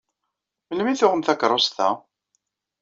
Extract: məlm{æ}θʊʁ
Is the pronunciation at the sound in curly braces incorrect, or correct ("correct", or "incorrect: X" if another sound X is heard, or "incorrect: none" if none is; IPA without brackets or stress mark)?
incorrect: i